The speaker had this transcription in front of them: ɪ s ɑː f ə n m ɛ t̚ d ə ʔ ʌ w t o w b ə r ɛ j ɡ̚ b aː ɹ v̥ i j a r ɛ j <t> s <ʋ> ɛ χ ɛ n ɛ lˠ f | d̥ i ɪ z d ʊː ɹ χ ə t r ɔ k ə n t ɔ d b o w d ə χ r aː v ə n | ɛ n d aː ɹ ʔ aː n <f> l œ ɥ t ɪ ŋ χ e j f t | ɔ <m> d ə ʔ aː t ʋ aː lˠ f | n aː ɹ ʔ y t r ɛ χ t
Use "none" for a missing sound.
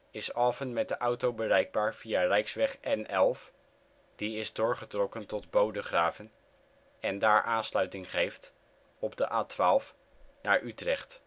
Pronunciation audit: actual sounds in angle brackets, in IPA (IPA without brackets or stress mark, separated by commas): k, ʋ, s, b